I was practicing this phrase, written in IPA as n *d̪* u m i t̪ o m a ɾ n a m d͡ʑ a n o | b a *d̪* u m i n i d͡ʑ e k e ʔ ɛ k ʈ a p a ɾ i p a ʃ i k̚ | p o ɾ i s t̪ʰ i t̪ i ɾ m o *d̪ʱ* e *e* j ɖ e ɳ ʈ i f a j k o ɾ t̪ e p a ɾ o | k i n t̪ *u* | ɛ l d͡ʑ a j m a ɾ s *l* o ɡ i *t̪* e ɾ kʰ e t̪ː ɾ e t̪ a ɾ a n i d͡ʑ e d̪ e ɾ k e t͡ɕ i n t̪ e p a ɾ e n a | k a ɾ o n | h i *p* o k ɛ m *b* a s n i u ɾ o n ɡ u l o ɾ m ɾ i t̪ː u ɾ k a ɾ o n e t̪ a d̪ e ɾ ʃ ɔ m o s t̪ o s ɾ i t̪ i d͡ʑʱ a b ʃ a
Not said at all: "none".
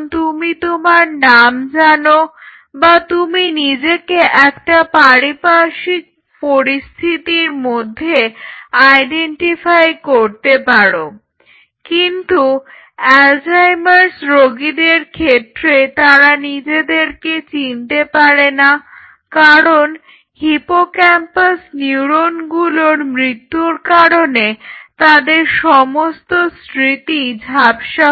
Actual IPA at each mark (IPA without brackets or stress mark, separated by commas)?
t̪, t̪, d̪ʱː, a, u, ɾ, d̪, p, p